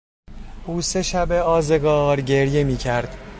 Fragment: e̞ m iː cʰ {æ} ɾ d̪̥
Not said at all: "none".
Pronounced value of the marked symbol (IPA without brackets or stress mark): æ